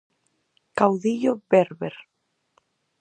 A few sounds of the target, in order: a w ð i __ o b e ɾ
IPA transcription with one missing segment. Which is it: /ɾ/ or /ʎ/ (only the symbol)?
ʎ